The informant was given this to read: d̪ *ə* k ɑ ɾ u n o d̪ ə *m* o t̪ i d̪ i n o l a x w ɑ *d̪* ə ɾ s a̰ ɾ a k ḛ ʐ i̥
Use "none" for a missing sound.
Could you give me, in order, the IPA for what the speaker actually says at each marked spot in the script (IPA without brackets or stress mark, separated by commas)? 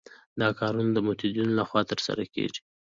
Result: ɑ, m, t̪